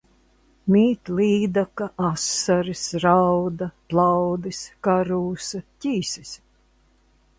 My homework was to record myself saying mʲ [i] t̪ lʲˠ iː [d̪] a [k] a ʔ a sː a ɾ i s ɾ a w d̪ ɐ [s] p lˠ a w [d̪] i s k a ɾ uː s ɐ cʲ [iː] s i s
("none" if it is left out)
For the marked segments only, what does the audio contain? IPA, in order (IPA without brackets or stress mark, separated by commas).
iː, d̪, k, none, d̪, iː